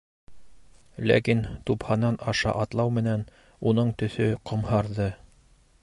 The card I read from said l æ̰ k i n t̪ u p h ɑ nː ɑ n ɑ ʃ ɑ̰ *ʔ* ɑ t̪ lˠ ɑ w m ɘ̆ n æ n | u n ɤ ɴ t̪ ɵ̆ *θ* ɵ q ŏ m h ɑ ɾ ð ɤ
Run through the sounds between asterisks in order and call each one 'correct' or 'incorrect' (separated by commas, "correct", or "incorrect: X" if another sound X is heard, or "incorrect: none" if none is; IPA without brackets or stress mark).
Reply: correct, correct